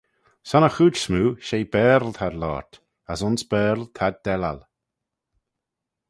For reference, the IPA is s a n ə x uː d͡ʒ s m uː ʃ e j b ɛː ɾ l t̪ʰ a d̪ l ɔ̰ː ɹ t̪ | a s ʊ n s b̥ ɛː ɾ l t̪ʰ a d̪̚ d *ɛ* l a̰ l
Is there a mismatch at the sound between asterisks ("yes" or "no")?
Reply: no